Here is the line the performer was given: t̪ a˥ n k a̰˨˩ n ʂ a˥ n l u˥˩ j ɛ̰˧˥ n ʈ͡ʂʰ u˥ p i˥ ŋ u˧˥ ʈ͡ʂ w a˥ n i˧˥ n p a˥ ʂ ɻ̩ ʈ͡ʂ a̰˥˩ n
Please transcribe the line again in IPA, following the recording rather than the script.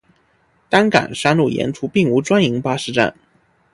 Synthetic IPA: t̪ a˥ n k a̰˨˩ n ʂ a˥ n l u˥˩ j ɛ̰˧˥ n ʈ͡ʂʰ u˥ p i˥˩ ŋ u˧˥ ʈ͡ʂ w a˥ n i˧˥ ŋ p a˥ ʂ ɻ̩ ʈ͡ʂ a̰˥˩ n